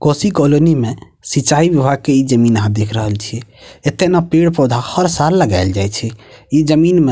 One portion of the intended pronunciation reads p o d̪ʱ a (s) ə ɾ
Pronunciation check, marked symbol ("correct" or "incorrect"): incorrect